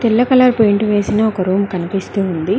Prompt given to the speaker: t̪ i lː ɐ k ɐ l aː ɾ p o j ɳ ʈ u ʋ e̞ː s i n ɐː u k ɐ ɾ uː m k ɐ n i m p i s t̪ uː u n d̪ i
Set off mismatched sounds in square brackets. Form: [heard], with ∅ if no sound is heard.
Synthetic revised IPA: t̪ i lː ɐ k ɐ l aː ɾ p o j ɳ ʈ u ʋ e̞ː s i n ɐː [ɔ] k ɐ ɾ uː m k ɐ n i [∅] p i s t̪ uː u n d̪ i